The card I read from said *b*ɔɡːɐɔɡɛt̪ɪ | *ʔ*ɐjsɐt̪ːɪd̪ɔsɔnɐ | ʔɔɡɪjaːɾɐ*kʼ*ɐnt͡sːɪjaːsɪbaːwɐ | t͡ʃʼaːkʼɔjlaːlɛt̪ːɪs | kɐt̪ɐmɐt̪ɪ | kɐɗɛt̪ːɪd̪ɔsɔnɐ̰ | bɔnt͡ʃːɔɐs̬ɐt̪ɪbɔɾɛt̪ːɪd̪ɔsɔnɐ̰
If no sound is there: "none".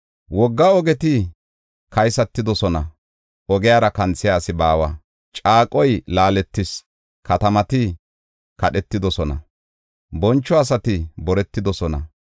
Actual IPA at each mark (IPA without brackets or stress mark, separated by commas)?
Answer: w, k, k